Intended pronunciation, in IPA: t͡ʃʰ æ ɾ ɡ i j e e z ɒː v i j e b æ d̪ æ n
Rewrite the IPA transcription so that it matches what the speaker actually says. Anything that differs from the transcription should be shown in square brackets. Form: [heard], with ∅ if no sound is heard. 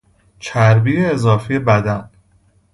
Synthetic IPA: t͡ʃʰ æ ɾ [b] i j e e z ɒː [f] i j e b æ d̪ æ n